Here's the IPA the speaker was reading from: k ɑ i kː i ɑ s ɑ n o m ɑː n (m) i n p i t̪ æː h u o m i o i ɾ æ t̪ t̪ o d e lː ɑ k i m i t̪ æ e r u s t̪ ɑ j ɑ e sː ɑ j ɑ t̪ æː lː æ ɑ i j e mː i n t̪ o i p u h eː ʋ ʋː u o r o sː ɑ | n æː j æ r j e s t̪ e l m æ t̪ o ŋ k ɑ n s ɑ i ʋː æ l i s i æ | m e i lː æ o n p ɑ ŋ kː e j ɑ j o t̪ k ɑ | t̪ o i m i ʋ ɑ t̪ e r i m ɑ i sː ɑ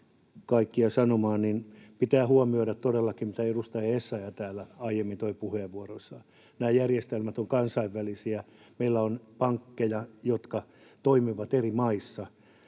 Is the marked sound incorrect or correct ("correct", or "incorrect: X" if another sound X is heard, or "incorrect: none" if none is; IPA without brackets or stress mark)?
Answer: incorrect: n